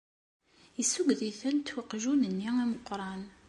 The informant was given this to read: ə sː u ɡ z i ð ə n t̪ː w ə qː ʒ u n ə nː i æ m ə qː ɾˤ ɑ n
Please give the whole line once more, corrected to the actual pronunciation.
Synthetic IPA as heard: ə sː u ɡ ð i θ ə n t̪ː w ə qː ʒ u n ə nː i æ m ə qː ɾˤ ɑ n